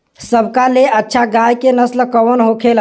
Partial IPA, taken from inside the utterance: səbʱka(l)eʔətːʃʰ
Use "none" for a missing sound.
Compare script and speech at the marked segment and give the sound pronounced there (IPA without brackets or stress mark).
l